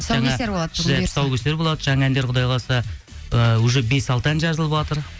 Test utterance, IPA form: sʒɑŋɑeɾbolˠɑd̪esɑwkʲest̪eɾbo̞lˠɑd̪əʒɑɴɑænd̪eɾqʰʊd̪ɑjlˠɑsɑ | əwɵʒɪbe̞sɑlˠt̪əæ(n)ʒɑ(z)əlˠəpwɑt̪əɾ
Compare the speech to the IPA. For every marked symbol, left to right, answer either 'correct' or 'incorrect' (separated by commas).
correct, correct